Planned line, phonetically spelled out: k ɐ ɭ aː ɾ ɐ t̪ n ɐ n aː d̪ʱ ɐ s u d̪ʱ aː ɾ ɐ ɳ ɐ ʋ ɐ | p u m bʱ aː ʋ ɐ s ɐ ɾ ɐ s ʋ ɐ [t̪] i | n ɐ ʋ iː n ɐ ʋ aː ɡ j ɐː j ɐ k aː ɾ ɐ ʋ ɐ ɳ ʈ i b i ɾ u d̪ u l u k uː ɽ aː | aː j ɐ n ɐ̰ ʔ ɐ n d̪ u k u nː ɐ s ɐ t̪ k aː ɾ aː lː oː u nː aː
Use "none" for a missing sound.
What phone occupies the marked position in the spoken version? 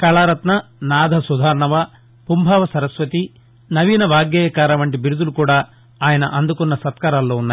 t̪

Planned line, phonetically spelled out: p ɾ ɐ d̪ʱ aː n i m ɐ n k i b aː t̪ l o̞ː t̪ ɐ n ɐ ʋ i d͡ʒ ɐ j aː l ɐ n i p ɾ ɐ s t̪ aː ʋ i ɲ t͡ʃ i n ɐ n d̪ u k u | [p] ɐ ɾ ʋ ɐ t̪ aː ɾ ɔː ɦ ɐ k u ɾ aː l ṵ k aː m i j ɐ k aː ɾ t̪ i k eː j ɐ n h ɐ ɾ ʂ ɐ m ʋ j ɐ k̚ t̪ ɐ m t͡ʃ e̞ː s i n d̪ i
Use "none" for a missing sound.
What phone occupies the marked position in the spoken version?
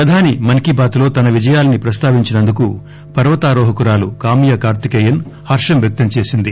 p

